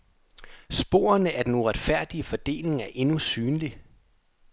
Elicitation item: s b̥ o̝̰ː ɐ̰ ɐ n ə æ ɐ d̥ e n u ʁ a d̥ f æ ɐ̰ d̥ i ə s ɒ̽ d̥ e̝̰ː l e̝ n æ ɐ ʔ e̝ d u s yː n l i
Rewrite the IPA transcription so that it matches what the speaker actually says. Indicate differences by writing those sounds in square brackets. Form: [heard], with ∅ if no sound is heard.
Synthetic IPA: s b̥ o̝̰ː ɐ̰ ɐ n ə æ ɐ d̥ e n u ʁ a d̥ f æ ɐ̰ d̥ i ə [f] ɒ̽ d̥ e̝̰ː l e̝ [ŋ] æ ɐ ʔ e̝ [n] u s yː n l i